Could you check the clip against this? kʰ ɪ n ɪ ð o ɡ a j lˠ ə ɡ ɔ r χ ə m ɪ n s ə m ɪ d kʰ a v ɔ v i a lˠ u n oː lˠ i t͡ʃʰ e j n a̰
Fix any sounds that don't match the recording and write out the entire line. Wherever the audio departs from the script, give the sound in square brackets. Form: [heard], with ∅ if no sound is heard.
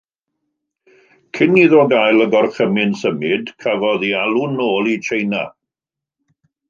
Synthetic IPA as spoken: kʰ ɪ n [i] ð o ɡ a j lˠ ə ɡ ɔ r χ ə m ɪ n s ə m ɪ d kʰ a v ɔ [ð] i a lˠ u n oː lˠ i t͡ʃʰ e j n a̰